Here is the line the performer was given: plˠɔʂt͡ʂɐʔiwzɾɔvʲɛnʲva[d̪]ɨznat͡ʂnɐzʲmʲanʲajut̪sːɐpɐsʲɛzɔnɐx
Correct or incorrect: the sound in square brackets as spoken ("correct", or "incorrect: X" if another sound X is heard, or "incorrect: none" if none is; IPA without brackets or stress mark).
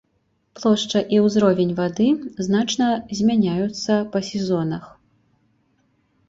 correct